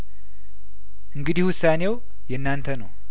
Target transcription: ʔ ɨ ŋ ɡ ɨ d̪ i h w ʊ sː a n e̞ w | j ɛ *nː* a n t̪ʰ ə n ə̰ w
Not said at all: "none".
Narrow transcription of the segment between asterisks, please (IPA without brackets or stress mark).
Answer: nː